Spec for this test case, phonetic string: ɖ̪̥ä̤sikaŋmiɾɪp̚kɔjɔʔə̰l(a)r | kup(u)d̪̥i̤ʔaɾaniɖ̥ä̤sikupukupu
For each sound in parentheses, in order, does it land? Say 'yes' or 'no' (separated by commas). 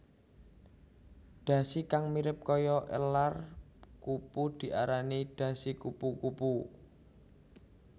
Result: yes, yes